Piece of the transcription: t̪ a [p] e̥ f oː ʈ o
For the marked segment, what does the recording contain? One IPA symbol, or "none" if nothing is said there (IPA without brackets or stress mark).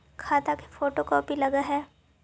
k